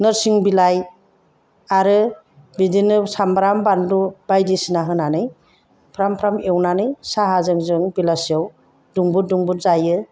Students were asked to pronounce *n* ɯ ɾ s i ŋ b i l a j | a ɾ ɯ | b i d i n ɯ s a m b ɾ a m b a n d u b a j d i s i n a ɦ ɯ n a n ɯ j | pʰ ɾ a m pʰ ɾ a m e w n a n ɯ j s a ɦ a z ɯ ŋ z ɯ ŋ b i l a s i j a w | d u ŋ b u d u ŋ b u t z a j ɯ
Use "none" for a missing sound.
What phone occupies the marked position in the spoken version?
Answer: n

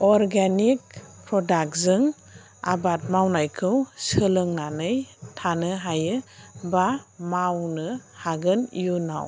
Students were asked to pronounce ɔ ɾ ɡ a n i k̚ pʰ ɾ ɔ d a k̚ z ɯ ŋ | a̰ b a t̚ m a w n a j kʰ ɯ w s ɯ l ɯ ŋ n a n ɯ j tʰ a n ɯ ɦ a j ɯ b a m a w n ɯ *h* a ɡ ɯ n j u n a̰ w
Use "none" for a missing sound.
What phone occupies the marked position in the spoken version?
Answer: h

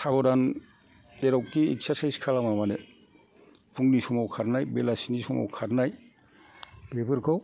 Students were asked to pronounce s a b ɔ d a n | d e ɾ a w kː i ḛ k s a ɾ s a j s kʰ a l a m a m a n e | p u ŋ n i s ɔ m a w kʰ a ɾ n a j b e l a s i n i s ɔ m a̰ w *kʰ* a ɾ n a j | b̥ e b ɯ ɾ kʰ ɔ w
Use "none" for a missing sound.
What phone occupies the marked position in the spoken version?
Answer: kʰ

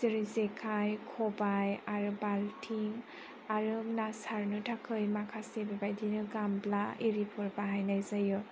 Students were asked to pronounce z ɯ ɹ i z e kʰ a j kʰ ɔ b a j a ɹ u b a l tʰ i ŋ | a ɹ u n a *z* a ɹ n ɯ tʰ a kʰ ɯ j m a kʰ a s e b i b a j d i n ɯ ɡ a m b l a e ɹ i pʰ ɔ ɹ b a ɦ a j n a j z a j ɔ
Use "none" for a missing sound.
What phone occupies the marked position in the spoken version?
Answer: s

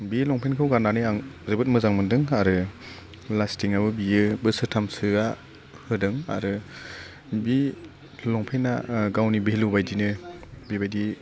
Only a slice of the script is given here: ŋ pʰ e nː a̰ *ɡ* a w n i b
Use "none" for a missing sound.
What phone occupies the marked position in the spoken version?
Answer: ɡ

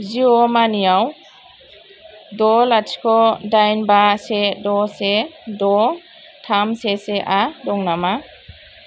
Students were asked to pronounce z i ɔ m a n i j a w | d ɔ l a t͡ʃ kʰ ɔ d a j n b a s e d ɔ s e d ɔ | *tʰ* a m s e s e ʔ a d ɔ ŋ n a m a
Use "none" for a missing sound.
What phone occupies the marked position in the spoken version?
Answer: tʰ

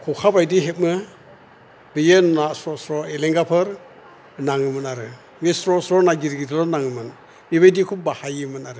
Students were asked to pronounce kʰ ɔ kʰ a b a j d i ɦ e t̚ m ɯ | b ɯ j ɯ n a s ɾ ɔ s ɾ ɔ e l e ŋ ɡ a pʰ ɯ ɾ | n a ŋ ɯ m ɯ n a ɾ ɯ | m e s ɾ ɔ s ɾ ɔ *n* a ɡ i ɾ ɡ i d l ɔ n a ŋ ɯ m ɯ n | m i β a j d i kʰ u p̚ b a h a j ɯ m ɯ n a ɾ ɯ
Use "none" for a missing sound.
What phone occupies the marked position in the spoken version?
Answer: n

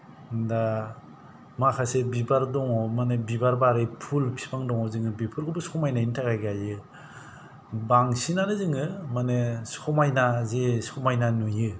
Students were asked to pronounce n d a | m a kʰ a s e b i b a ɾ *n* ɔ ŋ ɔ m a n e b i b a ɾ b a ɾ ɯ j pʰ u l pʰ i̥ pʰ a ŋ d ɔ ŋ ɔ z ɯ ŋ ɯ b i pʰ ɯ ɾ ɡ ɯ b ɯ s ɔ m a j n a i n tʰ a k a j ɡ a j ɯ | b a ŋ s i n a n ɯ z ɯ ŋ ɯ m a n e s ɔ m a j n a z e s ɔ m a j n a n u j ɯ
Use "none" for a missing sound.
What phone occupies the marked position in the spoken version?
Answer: d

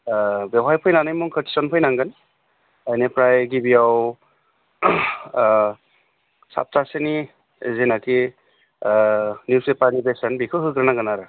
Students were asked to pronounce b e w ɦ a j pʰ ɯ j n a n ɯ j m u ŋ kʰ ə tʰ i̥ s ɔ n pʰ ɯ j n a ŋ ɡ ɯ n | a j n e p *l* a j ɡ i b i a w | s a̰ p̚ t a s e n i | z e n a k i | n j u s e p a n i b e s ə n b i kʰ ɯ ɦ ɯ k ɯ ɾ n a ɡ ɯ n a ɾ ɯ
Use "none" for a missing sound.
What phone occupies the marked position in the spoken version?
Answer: ɾ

